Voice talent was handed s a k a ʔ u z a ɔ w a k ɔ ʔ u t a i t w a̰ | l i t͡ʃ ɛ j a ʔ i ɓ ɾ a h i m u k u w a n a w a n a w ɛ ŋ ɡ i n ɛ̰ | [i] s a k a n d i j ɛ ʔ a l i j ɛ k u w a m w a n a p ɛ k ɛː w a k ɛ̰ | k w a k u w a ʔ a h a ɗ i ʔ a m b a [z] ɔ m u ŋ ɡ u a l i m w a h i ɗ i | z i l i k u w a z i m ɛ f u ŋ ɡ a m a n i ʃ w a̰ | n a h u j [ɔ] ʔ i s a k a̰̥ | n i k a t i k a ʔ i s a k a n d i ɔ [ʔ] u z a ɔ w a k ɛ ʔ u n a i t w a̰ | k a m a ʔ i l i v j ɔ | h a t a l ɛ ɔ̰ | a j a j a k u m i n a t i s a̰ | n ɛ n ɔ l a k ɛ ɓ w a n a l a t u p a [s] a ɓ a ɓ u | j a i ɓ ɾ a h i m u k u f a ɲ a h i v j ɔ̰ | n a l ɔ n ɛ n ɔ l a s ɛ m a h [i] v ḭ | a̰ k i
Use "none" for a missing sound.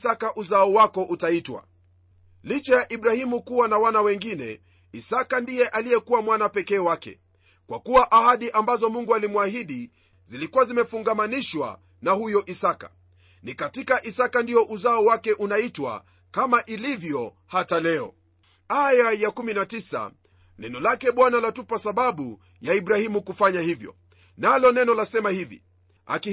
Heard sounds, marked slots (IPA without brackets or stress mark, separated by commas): i, z, ɔ, ʔ, s, i